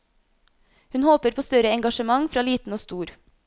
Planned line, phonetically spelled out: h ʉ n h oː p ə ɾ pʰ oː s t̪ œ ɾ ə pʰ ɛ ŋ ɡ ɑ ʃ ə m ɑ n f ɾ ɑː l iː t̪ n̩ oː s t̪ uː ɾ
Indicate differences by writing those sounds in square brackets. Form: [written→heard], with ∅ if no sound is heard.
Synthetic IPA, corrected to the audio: h ʉ n h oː p ə ɾ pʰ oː s t̪ œ ɾ ə [pʰ→∅] ɛ ŋ ɡ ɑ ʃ ə m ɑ [n→ŋ] f ɾ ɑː l iː t̪ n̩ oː s t̪ uː ɾ